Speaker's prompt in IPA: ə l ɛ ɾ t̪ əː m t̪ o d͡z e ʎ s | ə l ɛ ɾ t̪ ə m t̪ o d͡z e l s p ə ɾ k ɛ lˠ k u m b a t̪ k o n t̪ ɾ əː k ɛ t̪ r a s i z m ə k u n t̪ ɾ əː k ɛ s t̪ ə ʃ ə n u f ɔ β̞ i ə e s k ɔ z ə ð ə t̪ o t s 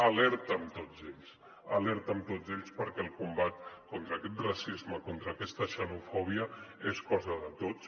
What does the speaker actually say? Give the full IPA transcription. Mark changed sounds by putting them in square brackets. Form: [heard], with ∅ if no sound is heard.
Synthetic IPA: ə l ɛ ɾ t̪ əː m t̪ o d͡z e ʎ s | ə l ɛ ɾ t̪ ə m t̪ o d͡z e [ʎ] s p ə ɾ k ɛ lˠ k u m b a t̪ k o n t̪ ɾ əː k ɛ t̪ r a s i z m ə k [o] n t̪ ɾ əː k ɛ s t̪ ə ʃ ə n u f ɔ β̞ i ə e s k ɔ z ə ð ə t̪ o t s